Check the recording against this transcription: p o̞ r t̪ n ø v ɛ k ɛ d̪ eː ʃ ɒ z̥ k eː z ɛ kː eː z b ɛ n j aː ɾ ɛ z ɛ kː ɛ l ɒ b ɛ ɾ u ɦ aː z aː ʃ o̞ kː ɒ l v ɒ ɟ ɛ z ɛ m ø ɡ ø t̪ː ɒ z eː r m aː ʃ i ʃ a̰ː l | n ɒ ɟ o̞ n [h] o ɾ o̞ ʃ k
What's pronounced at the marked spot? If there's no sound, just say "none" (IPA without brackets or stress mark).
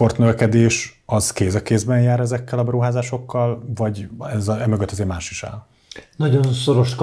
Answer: s